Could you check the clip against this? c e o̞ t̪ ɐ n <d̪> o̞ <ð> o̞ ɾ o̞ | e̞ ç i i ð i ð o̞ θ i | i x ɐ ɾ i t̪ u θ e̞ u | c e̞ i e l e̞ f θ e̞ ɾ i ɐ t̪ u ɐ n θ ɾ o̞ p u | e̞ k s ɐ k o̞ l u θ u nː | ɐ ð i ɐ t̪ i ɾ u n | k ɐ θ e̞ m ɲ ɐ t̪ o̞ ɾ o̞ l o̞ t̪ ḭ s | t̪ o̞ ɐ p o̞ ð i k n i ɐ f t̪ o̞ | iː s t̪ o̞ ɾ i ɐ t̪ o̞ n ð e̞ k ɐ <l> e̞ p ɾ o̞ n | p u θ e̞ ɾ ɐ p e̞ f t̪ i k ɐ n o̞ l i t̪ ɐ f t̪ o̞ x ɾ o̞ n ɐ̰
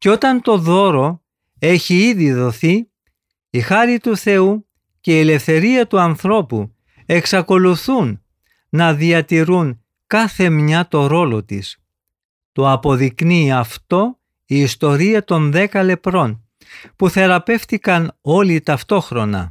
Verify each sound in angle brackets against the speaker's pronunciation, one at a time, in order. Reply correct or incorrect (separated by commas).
incorrect, correct, correct